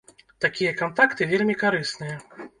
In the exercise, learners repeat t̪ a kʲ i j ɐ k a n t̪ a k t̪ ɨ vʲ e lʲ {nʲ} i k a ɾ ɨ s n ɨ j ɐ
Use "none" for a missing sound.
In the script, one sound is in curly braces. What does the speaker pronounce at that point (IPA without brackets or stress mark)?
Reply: mʲ